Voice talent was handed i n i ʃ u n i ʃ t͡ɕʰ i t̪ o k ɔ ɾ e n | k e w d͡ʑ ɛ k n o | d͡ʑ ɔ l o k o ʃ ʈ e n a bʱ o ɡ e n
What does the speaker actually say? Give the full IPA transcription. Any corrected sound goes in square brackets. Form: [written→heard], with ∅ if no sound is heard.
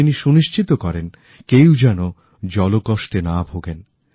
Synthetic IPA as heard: i n i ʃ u n i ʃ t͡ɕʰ i t̪ o k ɔ ɾ e n | k e w d͡ʑ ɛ [k→∅] n o | d͡ʑ ɔ l o k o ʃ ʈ e n a bʱ o ɡ e n